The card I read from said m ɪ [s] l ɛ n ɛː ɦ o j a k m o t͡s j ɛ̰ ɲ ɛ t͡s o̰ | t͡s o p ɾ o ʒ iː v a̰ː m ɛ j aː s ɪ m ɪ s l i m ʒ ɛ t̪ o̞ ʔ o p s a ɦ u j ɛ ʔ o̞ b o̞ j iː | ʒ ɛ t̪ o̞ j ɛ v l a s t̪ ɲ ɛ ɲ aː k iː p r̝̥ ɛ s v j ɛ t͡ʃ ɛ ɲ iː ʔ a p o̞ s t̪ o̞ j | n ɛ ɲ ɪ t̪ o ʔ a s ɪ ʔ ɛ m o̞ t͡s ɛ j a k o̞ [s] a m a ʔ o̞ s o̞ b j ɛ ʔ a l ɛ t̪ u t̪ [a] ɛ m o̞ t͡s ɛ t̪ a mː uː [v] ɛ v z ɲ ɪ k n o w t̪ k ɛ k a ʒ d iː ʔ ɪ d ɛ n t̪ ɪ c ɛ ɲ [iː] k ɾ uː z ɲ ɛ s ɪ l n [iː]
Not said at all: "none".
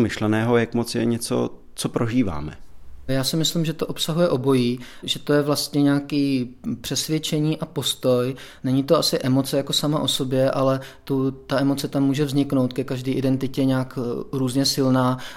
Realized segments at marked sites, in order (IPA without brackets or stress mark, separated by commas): ʃ, s, a, ʒ, aː, aː